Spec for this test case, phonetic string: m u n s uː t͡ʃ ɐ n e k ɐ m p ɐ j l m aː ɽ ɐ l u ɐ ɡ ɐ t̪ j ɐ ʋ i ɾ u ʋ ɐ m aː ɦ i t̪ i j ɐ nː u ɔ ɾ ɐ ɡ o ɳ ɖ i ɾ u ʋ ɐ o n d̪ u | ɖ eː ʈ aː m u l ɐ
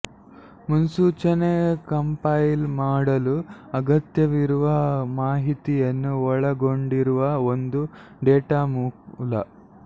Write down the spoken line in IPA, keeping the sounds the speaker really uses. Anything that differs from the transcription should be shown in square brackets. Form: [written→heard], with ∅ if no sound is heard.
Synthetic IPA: m u n s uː t͡ʃ ɐ n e k ɐ m p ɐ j l m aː ɽ ɐ l u ɐ ɡ ɐ t̪ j ɐ ʋ i ɾ u ʋ ɐ m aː ɦ i t̪ i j ɐ nː u ɔ [ɾ→ɭ] ɐ ɡ o ɳ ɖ i ɾ u ʋ ɐ o n d̪ u | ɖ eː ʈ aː m u l ɐ

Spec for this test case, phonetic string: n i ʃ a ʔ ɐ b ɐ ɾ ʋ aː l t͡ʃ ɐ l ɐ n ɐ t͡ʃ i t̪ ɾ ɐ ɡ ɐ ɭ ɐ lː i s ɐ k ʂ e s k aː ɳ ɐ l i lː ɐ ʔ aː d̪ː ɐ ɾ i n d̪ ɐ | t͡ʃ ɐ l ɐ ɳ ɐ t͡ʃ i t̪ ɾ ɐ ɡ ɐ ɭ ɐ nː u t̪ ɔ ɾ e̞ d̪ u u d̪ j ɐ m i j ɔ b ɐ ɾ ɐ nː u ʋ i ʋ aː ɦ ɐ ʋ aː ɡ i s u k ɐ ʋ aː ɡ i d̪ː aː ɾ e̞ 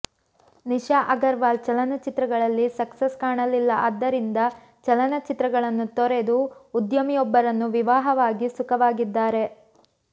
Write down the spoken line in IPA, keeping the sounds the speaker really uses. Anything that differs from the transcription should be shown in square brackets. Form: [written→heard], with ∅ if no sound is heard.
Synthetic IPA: n i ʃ a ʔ ɐ [b→ɡ] ɐ ɾ ʋ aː l t͡ʃ ɐ l ɐ n ɐ t͡ʃ i t̪ ɾ ɐ ɡ ɐ ɭ ɐ lː i s ɐ k [ʂ→s] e s k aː ɳ ɐ l i lː ɐ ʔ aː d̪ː ɐ ɾ i n d̪ ɐ | t͡ʃ ɐ l ɐ [ɳ→n] ɐ t͡ʃ i t̪ ɾ ɐ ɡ ɐ ɭ ɐ nː u t̪ ɔ ɾ e̞ d̪ u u d̪ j ɐ m i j ɔ [b→bː] ɐ ɾ ɐ nː u ʋ i ʋ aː ɦ ɐ ʋ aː ɡ i s u k ɐ ʋ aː ɡ i d̪ː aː ɾ e̞

